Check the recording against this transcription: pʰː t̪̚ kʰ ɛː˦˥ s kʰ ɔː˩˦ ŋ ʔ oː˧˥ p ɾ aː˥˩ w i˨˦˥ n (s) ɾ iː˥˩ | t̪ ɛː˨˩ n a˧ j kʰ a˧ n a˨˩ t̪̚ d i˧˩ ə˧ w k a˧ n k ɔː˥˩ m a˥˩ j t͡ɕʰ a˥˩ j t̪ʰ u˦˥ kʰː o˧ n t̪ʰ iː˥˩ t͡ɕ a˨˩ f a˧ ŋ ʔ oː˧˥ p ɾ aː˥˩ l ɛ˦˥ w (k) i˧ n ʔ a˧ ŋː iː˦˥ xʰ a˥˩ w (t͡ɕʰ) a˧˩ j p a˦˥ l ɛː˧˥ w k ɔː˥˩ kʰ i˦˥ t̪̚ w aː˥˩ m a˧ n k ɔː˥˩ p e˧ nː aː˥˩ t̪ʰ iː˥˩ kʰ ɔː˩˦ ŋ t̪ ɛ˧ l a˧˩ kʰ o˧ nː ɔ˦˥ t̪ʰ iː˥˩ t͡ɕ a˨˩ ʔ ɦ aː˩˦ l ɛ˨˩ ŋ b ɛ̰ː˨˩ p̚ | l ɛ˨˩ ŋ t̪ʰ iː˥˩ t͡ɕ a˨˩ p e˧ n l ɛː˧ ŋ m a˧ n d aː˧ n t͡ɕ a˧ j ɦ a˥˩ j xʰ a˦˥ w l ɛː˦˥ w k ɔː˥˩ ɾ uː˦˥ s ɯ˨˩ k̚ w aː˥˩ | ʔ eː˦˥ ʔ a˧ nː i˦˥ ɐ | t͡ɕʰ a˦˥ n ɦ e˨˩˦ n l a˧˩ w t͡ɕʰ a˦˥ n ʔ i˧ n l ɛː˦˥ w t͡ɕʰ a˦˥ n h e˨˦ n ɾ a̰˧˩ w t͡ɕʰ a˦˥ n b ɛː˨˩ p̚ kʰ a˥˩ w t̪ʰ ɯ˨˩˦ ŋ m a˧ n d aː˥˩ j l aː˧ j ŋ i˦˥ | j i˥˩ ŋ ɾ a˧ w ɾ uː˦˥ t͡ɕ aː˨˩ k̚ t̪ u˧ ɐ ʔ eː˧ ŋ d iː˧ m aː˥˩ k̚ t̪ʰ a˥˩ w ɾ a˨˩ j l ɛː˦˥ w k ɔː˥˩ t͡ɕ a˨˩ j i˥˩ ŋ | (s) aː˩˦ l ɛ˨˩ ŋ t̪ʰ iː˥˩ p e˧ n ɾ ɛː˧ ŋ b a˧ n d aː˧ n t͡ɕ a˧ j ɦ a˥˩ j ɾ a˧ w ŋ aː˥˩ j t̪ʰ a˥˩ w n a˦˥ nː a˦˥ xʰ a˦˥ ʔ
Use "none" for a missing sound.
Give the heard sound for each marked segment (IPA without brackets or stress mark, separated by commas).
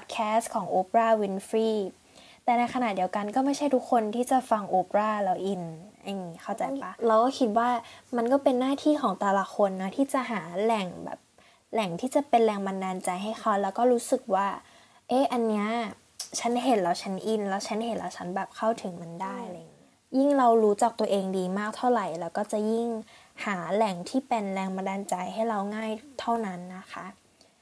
f, ʔ, t͡ɕ, h